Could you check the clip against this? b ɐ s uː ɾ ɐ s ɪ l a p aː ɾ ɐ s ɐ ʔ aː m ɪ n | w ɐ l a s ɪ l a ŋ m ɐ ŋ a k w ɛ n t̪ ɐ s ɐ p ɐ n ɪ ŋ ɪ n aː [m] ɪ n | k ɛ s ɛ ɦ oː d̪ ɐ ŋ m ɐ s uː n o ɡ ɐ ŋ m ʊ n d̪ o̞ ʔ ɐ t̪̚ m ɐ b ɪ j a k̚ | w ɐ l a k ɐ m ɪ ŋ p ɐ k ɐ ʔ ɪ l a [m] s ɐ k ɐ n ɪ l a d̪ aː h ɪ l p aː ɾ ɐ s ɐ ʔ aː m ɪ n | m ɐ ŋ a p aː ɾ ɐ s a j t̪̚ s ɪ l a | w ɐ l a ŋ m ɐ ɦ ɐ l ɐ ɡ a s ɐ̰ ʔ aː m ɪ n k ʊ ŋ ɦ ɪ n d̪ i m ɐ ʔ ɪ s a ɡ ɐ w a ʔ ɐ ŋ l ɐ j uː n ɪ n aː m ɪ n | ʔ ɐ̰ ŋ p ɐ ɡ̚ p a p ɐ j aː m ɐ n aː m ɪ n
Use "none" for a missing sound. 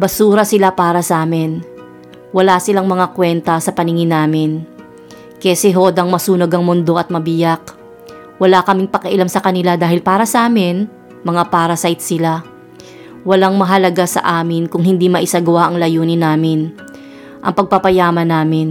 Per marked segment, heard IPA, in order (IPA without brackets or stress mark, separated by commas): m, m